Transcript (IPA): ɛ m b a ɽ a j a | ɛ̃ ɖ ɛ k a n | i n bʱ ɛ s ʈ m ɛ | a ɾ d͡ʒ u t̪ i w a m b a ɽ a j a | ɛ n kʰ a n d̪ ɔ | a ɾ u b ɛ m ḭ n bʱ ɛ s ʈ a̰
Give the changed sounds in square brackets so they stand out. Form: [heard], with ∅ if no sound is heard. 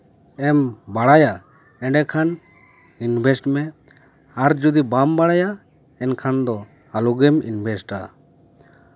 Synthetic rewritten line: ɛ m b a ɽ a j a | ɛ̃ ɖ ɛ [kʰ] a n | i n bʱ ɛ s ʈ m ɛ | a ɾ d͡ʒ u [d̪] i [b] a m b a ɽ a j a | ɛ n kʰ a n d̪ ɔ | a [l] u [ɡ] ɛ m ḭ n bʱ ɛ s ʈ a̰